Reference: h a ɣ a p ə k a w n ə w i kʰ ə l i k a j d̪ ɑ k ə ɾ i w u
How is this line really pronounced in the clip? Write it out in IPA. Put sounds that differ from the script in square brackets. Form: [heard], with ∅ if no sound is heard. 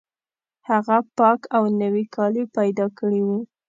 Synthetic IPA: h a ɣ a p [ɑ] k a w n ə w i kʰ [ɑ] l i [p] a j d̪ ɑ k ə [ɽ] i w u